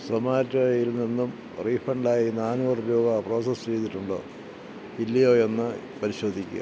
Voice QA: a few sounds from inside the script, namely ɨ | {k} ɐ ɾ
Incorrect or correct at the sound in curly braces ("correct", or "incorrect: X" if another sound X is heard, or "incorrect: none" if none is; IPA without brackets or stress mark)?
incorrect: p